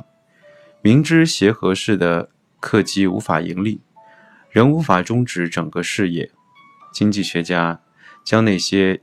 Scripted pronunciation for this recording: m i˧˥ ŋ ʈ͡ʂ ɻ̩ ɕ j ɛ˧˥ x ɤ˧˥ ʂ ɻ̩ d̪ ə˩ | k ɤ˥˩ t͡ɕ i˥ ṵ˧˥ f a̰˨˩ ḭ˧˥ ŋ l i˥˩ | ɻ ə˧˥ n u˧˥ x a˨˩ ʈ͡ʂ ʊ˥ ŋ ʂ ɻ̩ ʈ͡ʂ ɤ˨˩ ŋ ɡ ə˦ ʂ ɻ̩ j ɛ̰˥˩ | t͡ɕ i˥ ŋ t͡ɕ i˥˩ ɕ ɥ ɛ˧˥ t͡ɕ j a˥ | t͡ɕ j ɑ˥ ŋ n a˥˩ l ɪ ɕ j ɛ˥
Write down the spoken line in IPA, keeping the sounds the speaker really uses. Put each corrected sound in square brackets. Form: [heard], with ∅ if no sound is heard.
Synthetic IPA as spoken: m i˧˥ ŋ ʈ͡ʂ ɻ̩ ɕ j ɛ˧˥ x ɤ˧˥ ʂ ɻ̩ d̪ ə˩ | [kʰ] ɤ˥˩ t͡ɕ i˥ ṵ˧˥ f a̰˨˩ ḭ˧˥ ŋ l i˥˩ | ɻ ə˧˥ n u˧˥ [f] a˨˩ ʈ͡ʂ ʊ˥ ŋ [ʈ͡ʂ] ɻ̩ ʈ͡ʂ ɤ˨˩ ŋ ɡ ə˦ ʂ ɻ̩ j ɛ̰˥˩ | t͡ɕ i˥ ŋ t͡ɕ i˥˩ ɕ ɥ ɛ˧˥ t͡ɕ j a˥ | t͡ɕ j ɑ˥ ŋ n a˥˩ [∅] ɪ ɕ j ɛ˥